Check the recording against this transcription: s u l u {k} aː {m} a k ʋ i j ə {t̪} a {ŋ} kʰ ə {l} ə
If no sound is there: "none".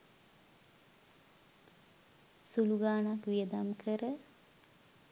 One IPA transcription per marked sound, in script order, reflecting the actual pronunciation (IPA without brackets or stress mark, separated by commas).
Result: ɡ, n, d̪, m, ɾ